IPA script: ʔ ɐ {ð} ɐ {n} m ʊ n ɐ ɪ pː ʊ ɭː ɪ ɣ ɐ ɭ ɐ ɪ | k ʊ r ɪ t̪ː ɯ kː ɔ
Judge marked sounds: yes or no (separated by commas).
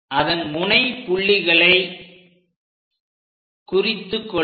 yes, yes